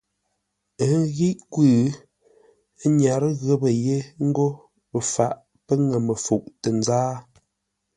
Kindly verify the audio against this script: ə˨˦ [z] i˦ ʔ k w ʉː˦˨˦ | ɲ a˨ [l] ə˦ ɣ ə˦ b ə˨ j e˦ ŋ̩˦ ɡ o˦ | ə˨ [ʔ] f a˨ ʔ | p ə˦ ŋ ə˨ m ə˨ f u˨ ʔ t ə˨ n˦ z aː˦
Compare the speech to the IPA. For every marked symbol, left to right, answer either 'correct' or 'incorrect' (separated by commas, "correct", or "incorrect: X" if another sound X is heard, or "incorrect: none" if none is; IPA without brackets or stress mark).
incorrect: ɣ, incorrect: ɾ, incorrect: none